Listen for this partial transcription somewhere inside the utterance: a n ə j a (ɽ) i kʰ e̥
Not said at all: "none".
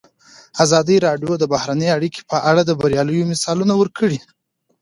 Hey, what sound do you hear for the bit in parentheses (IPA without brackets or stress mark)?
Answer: ɽ